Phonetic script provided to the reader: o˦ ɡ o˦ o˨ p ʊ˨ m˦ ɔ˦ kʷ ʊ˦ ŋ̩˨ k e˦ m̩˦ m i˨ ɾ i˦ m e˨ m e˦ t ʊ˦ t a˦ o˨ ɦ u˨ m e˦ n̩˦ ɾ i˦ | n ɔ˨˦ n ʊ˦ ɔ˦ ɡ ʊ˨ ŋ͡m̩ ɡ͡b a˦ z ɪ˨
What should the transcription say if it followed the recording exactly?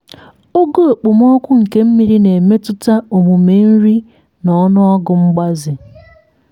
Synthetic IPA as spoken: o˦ ɡ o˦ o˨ k͡p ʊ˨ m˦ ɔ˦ kʷ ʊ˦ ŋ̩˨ k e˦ m̩˦ m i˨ ɾ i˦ n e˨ m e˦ t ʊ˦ t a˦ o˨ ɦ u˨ m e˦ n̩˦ ɾ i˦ | n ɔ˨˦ n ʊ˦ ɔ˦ ɡ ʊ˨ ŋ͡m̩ ɡ͡b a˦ z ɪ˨

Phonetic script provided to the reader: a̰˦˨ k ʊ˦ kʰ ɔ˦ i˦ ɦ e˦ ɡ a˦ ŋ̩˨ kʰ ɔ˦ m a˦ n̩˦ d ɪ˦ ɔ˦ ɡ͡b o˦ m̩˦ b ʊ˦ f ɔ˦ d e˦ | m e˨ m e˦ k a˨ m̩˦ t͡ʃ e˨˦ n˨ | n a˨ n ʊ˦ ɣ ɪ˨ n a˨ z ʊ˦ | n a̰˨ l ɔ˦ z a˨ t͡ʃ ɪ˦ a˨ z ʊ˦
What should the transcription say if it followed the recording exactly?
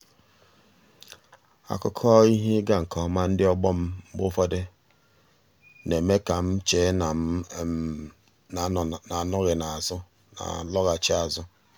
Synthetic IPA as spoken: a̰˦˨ k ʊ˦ kʰ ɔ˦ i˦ ɦ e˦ ɡ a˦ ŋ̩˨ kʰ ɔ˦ m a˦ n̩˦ d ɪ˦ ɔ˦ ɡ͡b ɔ˦ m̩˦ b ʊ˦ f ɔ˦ d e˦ | n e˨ m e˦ k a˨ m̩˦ t͡ʃ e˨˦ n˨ | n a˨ n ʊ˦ ɣ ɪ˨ n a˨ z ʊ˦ | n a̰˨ l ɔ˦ ɣ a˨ t͡ʃ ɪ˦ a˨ z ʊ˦

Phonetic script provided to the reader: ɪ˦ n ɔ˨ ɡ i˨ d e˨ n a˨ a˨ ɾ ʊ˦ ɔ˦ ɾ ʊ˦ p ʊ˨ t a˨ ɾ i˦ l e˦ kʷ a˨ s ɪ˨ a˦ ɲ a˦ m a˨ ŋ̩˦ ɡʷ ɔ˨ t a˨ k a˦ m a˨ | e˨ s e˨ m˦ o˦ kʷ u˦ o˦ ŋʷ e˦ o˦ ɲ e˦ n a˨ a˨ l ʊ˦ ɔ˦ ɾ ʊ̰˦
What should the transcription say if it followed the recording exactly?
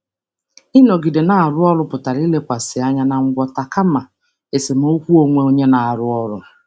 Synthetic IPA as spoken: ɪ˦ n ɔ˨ ɡ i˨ d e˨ n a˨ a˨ ɾ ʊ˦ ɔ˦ ɾ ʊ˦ p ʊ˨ t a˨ ɾ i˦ l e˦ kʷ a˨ s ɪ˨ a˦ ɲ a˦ n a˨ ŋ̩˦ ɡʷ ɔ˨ t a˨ k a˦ m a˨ | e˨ s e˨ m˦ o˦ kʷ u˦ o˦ ŋʷ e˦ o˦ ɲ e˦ n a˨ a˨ ɾ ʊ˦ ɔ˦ ɾ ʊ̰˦

